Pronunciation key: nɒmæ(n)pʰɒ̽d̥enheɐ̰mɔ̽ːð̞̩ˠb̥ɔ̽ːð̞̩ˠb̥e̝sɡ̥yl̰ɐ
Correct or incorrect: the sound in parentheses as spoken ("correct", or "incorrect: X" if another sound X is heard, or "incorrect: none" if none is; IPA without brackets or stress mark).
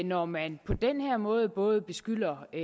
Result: correct